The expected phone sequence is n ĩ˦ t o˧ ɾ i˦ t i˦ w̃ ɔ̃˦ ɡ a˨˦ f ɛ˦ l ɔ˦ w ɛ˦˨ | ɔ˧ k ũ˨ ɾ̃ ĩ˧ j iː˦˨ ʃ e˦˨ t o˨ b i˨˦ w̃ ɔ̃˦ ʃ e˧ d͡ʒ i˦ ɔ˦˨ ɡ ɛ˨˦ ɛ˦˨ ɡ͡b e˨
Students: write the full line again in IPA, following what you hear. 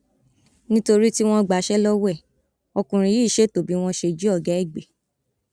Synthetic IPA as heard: n ĩ˦ t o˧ ɾ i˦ t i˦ w̃ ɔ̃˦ ɡ͡b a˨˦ ʃ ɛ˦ l ɔ˦ w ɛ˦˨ | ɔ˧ k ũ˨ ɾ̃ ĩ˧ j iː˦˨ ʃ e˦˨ t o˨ b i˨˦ w̃ ɔ̃˦ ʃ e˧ d͡ʒ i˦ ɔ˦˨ ɡ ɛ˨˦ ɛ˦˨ ɡ͡b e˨